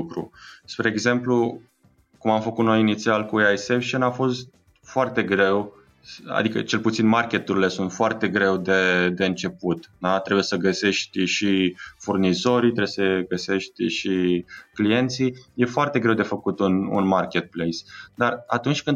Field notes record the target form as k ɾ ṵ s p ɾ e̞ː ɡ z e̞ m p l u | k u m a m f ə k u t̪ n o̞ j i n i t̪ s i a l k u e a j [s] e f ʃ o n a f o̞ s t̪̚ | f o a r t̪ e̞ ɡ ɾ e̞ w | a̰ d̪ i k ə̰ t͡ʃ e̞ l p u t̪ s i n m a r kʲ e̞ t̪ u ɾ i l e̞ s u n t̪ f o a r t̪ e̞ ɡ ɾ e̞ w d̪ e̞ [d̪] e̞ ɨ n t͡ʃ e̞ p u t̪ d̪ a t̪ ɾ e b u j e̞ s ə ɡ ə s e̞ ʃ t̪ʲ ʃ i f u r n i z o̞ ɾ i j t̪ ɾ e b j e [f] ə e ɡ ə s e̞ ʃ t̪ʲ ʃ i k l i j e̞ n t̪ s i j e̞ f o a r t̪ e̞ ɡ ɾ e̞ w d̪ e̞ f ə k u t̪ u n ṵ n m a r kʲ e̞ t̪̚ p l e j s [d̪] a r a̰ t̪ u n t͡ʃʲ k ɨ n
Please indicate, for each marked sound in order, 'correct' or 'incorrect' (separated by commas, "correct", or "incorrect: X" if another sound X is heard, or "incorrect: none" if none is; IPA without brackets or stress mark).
correct, correct, incorrect: s, correct